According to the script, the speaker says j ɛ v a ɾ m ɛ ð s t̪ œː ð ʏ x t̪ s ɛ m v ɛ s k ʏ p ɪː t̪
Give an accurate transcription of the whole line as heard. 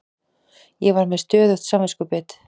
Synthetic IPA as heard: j ɛ v a ɾ m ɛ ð s t̪ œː ð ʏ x t̪ s a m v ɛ s k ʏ p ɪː t̪

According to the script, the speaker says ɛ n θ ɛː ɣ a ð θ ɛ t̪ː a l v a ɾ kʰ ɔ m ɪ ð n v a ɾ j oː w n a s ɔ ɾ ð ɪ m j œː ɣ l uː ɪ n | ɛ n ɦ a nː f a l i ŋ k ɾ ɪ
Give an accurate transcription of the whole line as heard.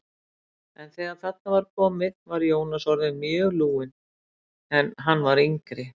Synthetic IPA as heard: ɛ n θ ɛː ɣ a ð θ ɛ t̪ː a v a ɾ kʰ ɔ m ɪ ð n v a ɾ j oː w n a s ɔ ɾ ð ɪ m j œː ɣ l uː ɪ n | ɛ n ɦ a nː v a ɾ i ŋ k ɾ ɪ

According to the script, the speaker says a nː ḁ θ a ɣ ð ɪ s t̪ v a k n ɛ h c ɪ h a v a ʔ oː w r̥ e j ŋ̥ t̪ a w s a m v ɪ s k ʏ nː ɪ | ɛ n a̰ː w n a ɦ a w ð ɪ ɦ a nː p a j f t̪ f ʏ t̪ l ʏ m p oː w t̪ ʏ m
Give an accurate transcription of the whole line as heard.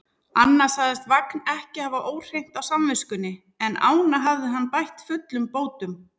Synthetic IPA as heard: a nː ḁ s a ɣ ð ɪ s t̪ v a k n ɛ h c ɪ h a v a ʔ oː w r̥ e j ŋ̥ t̪ a w s a m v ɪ s k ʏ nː ɪ | ɛ n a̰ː w n a ɦ a v ð ɪ ɦ a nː p a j h t̪ f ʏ t̪ l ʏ m p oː w t̪ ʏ m

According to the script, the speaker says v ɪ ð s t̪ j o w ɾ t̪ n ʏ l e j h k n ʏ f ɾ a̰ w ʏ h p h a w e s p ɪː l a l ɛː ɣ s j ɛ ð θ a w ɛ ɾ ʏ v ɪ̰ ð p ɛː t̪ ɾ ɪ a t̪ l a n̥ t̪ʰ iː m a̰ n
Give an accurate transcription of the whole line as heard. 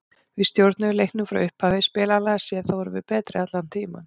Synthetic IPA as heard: v ɪ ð s t̪ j o w ɾ t̪ n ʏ l e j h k n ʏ f ɾ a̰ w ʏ h p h a v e s p ɪː l a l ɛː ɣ s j ɛ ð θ a w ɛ ɾ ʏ v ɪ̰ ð p ɛː t̪ ɾ ɪ a t̪ l a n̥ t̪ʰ iː m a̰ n

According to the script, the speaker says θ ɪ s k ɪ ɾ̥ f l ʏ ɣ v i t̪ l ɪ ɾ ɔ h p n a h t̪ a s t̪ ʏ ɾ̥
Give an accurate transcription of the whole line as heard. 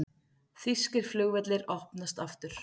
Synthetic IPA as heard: θ i s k ɪ ɾ̥ f l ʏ ɣ v ɛ t̪ l ɪ ɾ ɔ h p n a s t̪ a f t̪ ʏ ɾ̥

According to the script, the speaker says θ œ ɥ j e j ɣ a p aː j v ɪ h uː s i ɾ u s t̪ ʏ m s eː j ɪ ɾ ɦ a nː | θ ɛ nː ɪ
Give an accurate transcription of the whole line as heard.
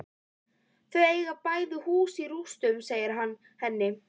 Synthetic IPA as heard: θ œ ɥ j e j ɣ a p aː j ð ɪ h uː s i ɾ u s t̪ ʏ m s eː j ɪ ɾ ɦ a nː | h ɛ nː ɪ

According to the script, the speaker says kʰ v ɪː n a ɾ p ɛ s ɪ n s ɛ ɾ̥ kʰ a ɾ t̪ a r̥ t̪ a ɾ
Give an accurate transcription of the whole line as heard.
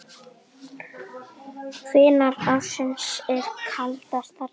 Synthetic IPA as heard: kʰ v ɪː n a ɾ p a s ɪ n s ɛ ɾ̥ kʰ a l t̪ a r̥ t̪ a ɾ

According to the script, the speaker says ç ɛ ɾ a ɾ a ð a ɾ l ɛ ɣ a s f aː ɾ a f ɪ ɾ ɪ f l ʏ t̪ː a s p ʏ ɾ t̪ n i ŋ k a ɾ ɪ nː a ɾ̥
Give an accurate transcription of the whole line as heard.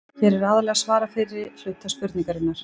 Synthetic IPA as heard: ç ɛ ɾ ɛ ɾ a ð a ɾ l ɛ ɣ a s v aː ɾ a f ɪ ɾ ɪ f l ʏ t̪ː a s p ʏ ɾ t̪ n i ŋ k a ɾ ɪ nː a ɾ̥

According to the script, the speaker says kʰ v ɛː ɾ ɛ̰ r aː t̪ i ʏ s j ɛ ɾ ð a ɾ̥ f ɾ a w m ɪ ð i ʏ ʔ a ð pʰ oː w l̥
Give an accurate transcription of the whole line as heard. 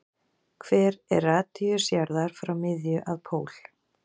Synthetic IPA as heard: kʰ v ɛː ɾ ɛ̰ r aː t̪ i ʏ s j a ɾ ð a ɾ̥ f ɾ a w m ɪ ð j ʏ ʔ a ð pʰ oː w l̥

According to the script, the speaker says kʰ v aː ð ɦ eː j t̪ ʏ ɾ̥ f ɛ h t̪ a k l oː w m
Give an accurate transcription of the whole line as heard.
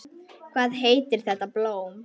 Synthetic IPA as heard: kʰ v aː ð ɦ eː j t̪ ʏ ɾ̥ θ ɛ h t̪ a p l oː w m

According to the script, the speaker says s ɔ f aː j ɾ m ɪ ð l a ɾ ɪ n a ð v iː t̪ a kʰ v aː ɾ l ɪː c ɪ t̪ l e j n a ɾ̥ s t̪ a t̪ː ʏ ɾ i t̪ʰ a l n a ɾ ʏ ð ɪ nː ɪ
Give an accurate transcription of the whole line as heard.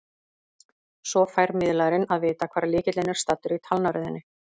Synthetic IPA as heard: s ɔ f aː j ɾ m ɪ ð l a ɾ ɪ n a ð v ɪː t̪ a kʰ v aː ɾ l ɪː c ɪ t̪ l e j n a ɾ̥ s t̪ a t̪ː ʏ ɾ i t̪ʰ a l n a ɾ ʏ ð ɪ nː ɪ

